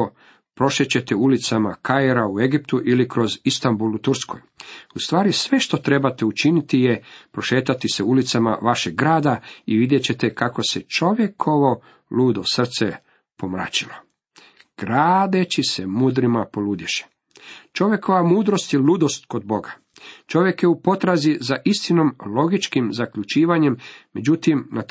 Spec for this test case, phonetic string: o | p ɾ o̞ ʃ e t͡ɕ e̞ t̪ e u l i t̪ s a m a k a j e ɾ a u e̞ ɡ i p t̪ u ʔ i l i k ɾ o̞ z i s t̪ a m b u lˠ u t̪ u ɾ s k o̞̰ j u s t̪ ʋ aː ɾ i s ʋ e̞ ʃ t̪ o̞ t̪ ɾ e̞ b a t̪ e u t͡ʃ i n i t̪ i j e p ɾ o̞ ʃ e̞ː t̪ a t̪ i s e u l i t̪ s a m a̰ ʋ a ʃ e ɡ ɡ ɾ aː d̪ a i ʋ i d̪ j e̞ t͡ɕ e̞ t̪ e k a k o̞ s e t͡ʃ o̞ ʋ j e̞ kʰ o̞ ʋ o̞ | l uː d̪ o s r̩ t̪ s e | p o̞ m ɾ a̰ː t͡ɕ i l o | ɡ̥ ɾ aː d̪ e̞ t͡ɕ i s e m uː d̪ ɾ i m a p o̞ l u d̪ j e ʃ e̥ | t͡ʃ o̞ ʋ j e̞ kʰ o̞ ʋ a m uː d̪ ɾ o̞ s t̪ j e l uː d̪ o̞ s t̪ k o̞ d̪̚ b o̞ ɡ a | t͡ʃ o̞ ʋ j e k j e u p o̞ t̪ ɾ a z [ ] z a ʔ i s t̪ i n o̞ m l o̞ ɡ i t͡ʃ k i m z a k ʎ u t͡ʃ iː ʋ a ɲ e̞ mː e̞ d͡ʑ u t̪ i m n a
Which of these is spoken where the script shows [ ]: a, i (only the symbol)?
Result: i